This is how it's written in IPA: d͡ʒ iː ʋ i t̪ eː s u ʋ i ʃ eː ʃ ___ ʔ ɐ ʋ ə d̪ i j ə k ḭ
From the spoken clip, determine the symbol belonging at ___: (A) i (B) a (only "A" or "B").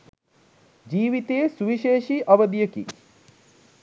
A